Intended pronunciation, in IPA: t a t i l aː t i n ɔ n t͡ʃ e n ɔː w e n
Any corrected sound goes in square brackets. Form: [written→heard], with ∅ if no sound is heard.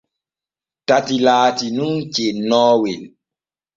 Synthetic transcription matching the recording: t a t i l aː t i n [ɔ→u] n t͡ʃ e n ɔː w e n